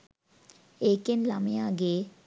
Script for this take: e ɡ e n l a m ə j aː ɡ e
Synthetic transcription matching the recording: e k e n l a m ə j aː ɡ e